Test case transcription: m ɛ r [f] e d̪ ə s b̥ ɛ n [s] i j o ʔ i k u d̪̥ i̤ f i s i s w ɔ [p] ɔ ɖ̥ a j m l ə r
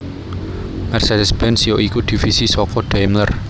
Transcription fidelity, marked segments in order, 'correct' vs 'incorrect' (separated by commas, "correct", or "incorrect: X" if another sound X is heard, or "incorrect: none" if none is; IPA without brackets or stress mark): incorrect: s, correct, incorrect: k